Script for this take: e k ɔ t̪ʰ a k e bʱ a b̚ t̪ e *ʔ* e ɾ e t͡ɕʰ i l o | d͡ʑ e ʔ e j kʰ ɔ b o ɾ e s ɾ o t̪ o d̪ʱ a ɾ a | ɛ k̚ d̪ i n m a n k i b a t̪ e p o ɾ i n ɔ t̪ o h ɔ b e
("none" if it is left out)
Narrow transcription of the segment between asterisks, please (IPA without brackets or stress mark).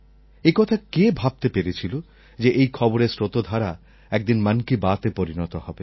p